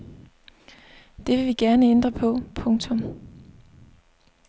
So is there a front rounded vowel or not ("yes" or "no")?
no